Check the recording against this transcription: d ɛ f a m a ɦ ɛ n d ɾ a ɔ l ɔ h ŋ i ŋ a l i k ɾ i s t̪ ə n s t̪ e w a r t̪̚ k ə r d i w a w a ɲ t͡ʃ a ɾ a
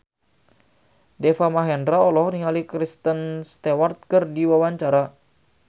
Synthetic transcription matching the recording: d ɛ f a m a ɦ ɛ n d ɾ a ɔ l ɔ h n i ŋ a l i k ɾ i s t̪ ə n s t̪ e w a r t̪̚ k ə r d i w a w a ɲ t͡ʃ a ɾ a

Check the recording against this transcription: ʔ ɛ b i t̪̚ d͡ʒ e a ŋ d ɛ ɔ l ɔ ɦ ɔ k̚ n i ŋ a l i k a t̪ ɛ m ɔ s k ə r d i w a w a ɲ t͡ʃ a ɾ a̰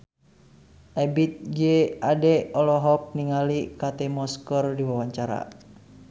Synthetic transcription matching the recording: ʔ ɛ b i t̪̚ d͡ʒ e a d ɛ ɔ l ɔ ɦ ɔ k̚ n i ŋ a l i k a t̪ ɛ m ɔ s k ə r d i w a w a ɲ t͡ʃ a ɾ a̰

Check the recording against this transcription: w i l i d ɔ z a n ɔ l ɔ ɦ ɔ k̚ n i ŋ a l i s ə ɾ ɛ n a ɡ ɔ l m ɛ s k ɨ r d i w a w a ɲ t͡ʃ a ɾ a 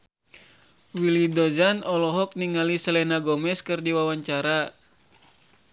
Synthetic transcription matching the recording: w i l i d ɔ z a n ɔ l ɔ ɦ ɔ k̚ n i ŋ a l i s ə l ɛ n a ɡ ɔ m ɛ s k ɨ r d i w a w a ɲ t͡ʃ a ɾ a

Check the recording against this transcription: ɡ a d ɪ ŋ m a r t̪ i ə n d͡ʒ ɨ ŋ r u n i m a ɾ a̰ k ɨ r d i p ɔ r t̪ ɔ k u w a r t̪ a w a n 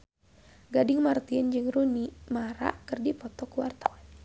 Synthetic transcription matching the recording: ɡ a d ɪ ŋ m a r t̪ i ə n d͡ʒ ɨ ŋ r u n i m a ɾ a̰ k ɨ r d i p ɔ t̪ ɔ k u w a r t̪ a w a n

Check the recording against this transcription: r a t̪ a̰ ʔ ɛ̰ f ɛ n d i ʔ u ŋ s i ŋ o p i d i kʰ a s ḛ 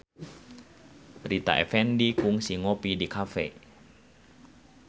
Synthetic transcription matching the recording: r i t̪ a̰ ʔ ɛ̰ f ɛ n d i k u ŋ s i ŋ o p i d i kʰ a f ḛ

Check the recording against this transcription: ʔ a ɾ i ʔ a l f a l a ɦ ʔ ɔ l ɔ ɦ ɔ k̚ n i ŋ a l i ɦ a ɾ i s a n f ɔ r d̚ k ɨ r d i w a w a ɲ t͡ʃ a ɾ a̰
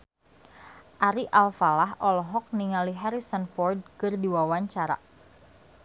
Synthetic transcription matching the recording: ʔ a ɾ i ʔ a l f a l a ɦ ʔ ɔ l ɔ ɦ ɔ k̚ n i ŋ a l i ɦ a ɾ i s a n f ɔ r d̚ k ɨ r d i w a w a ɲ t͡ʃ a ɾ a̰

